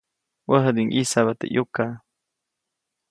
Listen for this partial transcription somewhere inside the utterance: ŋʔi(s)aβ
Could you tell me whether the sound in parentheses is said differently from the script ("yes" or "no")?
no